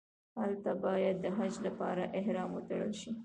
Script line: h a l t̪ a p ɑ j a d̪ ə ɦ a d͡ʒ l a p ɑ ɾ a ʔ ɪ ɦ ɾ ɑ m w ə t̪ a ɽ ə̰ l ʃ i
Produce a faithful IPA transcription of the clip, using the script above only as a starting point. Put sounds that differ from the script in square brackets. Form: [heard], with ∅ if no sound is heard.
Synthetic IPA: h a l t̪ a [b] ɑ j a [d̪ː] ə ɦ a d͡ʒ l a p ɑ ɾ a ʔ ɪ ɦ ɾ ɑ m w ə t̪ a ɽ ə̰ l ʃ i